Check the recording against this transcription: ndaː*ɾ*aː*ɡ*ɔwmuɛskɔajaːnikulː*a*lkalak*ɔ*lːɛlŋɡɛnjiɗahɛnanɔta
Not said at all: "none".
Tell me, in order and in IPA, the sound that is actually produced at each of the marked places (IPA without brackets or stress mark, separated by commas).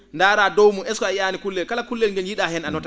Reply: ɾ, d, ɛ, u